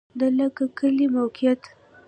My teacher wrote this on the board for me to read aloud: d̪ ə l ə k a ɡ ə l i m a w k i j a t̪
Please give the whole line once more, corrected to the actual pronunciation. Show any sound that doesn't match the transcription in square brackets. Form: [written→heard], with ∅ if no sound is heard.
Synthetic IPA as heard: d̪ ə l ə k a [ɡ→k] ə l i m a w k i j a t̪